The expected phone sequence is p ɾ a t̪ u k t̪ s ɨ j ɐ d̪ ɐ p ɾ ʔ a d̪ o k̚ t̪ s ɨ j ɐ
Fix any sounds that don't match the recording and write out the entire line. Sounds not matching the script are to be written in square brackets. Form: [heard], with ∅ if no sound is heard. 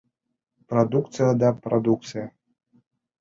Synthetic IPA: p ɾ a [d̪] u k t̪ s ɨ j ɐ d̪ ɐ p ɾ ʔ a d̪ [u] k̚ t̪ s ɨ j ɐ